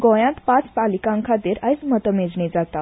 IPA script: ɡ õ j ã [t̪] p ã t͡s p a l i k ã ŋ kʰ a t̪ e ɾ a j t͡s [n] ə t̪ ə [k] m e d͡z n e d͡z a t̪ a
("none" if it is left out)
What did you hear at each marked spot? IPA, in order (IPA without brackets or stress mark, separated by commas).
t̪, m, none